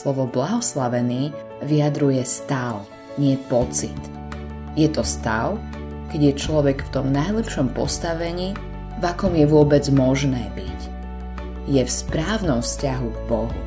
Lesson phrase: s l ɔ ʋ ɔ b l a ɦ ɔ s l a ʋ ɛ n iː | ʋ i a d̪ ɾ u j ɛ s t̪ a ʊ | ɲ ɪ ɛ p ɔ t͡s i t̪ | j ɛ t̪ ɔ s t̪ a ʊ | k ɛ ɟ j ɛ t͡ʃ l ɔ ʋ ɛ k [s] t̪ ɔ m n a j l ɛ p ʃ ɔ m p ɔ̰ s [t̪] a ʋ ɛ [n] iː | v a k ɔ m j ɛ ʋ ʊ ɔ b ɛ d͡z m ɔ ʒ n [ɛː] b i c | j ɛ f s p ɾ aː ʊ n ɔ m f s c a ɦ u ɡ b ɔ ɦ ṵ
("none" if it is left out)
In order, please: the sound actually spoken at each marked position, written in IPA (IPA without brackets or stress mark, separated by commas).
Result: f, t̪, ɲ, ɛː